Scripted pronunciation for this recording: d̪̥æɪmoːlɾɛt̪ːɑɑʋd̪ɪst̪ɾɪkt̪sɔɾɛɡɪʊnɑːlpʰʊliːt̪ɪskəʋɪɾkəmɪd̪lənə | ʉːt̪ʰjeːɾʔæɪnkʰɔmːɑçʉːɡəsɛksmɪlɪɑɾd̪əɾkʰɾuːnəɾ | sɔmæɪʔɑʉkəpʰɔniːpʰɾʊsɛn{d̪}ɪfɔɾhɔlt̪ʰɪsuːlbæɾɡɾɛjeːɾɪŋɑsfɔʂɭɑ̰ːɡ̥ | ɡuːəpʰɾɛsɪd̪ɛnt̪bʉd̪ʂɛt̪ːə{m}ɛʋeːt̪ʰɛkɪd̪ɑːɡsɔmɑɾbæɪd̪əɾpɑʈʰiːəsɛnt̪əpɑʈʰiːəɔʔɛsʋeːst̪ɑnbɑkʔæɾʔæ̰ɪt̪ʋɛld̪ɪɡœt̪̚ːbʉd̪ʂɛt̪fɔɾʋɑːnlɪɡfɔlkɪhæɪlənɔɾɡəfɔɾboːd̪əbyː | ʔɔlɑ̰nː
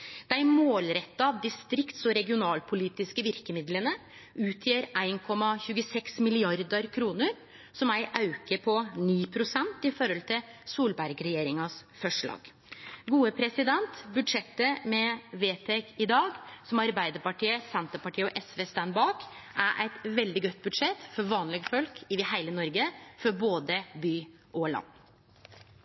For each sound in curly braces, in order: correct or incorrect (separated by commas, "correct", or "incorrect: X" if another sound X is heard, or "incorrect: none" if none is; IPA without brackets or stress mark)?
incorrect: t̪, correct